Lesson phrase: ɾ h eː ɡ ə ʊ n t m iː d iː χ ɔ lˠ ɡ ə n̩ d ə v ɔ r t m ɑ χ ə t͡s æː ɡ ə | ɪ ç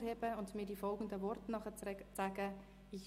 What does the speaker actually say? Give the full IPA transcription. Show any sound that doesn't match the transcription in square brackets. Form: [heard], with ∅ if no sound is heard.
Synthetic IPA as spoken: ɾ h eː [b] ə ʊ n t m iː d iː [f] ɔ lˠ ɡ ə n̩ d ə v ɔ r t [n] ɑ χ ə t͡s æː ɡ ə | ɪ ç